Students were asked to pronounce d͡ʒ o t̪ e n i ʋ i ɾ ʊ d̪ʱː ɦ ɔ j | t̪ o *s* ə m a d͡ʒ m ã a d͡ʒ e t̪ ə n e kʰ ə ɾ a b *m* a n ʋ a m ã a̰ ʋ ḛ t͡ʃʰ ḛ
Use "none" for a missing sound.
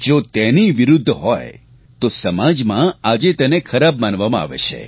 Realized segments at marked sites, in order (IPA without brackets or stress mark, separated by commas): s, m